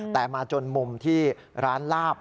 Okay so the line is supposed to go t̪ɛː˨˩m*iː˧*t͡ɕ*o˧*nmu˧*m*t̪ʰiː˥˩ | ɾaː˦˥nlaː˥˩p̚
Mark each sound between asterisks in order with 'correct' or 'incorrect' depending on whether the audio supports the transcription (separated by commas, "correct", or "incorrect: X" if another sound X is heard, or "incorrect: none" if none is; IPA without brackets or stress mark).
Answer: incorrect: aː˧, correct, correct